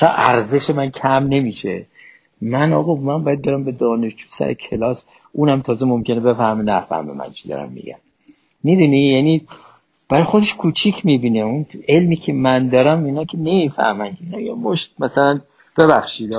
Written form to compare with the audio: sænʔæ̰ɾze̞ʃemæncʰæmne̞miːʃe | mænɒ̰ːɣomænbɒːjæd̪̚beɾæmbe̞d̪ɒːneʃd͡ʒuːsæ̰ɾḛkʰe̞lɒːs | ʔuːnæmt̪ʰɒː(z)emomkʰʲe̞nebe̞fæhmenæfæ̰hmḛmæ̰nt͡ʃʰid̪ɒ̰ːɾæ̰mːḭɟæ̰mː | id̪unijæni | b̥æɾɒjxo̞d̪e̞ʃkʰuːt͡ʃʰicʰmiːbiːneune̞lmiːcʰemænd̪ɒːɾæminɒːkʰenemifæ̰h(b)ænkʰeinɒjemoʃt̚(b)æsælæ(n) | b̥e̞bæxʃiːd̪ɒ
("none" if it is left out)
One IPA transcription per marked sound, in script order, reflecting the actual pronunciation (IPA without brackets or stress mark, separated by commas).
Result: z, m, m, n